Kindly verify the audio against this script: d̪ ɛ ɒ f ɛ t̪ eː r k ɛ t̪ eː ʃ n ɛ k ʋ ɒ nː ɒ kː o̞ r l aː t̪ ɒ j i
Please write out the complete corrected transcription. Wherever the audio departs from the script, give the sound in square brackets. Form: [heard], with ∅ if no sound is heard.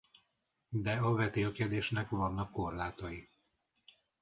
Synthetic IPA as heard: d̪ ɛ ɒ [v] ɛ t̪ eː [l] k ɛ [d̪] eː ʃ n ɛ k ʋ ɒ nː ɒ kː o̞ r l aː t̪ ɒ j i